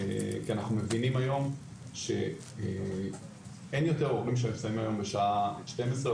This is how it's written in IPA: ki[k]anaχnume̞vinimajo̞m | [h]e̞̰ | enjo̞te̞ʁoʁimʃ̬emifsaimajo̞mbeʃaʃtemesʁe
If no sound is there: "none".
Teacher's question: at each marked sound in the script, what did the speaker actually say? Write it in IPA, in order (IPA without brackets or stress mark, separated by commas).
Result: none, ʃ